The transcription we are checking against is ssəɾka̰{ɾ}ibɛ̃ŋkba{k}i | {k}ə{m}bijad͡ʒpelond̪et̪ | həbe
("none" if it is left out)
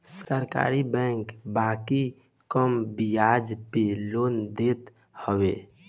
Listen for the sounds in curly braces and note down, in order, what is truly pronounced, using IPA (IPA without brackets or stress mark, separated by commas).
ɾ, k, k, m